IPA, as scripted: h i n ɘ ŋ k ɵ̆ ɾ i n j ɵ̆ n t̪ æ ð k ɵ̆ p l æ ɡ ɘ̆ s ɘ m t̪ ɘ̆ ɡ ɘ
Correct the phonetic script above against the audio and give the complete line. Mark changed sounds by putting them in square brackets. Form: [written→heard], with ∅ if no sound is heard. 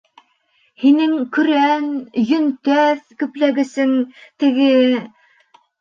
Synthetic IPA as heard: h i n ɘ ŋ k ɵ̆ ɾ [i→æ] n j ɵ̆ n t̪ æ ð k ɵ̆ p l æ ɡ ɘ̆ s ɘ [m→ŋ] t̪ ɘ̆ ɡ ɘ

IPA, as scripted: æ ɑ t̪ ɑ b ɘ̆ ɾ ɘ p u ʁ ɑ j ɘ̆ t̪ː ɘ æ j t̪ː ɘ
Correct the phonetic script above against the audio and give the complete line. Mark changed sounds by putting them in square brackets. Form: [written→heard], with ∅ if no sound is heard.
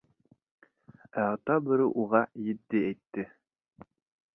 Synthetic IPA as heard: æ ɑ t̪ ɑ b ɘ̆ ɾ ɘ [p→ʔ] u ʁ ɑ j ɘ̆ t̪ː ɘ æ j t̪ː ɘ

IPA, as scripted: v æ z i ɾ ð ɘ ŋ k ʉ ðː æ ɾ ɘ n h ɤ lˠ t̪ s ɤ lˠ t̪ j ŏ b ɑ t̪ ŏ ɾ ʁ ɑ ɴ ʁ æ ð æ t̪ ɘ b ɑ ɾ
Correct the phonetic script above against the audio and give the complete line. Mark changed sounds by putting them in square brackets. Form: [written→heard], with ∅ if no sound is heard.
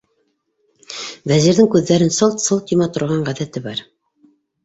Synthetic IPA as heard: v æ z i ɾ ð ɘ ŋ k ʉ ðː æ ɾ ɘ n [h→s] ɤ lˠ t̪ s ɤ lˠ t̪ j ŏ [b→m] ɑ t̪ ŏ ɾ ʁ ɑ ɴ ʁ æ ð æ t̪ ɘ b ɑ ɾ

